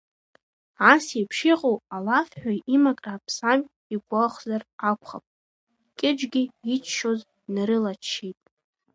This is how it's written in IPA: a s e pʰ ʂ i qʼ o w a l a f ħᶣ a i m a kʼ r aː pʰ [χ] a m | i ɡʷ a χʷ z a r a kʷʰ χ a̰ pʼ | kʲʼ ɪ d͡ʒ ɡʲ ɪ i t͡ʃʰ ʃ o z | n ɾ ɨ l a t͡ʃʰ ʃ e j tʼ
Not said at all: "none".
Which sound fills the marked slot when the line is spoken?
s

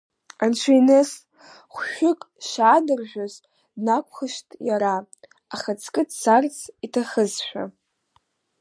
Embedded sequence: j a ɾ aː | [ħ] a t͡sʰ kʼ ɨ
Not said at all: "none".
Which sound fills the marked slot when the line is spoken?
χ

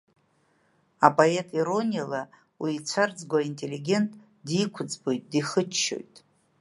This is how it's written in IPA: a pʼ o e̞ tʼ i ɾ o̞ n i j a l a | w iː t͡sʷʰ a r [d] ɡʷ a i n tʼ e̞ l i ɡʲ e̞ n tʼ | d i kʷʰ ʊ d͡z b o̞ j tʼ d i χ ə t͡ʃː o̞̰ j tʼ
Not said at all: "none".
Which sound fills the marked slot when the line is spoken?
d͡z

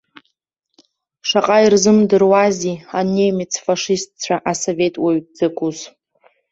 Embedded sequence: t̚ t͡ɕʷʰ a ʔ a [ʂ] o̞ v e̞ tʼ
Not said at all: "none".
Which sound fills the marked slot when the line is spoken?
s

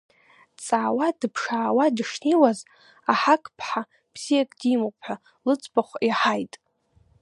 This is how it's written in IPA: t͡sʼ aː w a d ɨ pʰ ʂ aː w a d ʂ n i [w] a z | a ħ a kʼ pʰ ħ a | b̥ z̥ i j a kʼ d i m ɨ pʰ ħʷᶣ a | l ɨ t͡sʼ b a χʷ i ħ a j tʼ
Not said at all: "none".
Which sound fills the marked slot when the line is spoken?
w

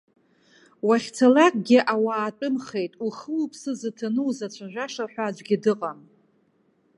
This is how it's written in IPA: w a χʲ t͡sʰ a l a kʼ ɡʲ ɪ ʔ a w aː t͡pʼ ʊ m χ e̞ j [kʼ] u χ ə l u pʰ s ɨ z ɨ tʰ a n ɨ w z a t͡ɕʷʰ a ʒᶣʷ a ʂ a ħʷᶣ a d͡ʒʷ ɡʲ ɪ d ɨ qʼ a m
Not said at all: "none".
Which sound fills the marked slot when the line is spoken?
tʼ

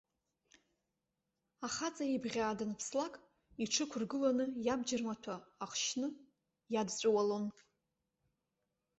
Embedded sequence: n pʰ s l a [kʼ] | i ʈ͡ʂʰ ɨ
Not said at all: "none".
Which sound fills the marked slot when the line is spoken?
kʼ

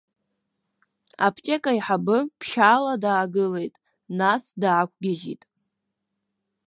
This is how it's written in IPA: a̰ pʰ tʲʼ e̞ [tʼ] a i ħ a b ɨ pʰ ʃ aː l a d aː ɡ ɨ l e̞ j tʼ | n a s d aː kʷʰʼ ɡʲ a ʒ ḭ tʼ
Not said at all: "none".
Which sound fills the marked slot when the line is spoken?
kʼ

